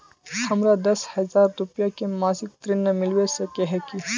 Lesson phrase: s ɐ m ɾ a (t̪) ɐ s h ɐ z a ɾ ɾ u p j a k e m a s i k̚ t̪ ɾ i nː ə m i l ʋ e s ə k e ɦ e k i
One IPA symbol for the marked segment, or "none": d̪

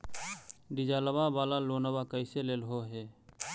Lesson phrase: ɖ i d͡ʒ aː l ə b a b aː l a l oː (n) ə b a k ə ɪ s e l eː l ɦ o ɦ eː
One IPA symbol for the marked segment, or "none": n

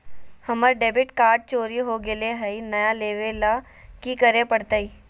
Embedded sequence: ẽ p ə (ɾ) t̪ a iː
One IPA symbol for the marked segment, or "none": ɽ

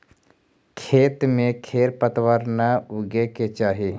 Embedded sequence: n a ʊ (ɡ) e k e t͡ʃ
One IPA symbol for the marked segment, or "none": ɡ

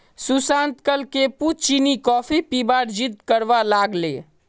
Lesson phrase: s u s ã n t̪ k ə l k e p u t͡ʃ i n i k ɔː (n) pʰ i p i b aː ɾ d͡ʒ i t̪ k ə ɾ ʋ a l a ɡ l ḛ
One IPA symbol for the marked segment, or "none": none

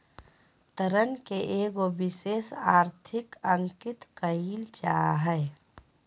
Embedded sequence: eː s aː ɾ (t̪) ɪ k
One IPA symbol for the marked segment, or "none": t̪ʰ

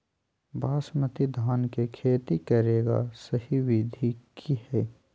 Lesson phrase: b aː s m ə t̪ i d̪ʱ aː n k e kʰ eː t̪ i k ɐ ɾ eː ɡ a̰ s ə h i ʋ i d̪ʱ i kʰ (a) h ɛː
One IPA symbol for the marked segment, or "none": i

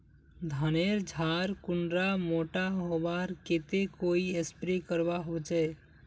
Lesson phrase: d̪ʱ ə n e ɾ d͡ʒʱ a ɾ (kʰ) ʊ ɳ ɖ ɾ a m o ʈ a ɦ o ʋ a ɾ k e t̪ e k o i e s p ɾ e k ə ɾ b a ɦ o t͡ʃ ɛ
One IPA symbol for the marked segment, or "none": k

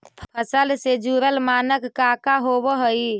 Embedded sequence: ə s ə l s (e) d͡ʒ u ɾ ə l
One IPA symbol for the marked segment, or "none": e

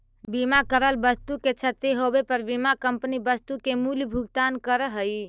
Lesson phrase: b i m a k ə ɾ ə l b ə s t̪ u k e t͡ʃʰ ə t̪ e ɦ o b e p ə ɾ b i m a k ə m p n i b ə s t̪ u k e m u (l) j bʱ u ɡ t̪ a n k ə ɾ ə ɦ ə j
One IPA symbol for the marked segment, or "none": l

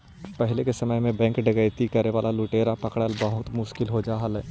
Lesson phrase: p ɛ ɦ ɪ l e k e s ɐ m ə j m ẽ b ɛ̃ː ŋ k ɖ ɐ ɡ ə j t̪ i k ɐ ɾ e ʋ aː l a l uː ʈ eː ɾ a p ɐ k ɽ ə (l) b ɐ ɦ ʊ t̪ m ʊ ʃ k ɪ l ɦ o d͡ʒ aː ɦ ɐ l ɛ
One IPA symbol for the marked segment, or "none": l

